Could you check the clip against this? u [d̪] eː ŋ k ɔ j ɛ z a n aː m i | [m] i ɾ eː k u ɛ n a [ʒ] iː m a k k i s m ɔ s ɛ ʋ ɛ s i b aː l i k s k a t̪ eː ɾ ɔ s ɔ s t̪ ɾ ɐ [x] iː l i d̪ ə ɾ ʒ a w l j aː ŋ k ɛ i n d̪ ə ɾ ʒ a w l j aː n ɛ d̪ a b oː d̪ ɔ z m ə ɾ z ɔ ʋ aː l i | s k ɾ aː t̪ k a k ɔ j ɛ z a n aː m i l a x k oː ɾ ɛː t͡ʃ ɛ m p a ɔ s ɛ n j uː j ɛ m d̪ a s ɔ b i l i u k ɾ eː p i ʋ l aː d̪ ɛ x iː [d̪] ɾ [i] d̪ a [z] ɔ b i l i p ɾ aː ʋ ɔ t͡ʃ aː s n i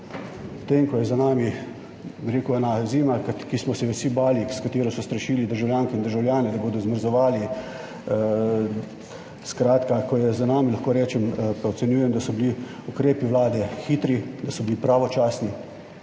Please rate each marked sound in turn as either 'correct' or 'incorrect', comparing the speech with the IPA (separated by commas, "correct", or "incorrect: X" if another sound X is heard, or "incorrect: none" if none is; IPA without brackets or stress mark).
incorrect: t̪, incorrect: b, incorrect: z, incorrect: ʃ, incorrect: t̪, correct, incorrect: s